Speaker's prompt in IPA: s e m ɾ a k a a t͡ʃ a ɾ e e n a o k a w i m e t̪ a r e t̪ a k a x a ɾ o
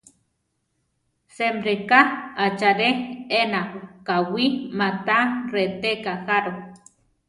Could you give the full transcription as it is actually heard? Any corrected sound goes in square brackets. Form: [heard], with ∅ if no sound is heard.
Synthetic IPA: s e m ɾ [e] k a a t͡ʃ a ɾ e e n a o k a w i m [a] t̪ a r e t̪ [e] k a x a ɾ o